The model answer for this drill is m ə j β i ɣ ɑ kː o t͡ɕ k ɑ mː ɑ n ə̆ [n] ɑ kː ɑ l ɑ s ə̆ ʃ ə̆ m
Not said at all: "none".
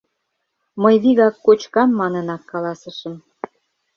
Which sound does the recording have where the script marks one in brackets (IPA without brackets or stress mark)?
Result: n